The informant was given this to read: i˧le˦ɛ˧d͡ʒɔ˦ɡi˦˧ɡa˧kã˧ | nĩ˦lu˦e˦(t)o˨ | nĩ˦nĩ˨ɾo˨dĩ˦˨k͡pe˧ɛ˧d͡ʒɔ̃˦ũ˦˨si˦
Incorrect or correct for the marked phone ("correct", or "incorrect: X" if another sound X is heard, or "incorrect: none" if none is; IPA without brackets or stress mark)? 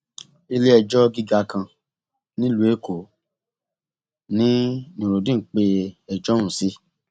incorrect: k